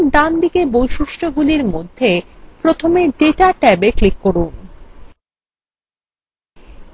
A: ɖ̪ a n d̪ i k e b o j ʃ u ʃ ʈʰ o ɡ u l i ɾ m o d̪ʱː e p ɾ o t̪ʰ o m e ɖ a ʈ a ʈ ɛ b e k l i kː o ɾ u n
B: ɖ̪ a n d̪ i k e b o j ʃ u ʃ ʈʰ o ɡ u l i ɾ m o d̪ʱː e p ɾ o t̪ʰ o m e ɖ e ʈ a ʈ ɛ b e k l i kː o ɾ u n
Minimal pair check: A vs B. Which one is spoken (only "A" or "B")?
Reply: B